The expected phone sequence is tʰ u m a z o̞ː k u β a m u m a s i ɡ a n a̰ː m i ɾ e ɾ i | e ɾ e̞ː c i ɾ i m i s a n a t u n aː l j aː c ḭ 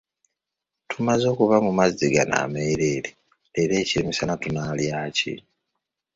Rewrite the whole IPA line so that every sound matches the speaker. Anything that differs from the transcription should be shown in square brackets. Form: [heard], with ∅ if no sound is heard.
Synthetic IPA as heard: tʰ u m a z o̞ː k u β a m u m a [z] i ɡ a n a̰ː m [e] ɾ e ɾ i | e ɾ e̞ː c i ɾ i m i s a n a t u n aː l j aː c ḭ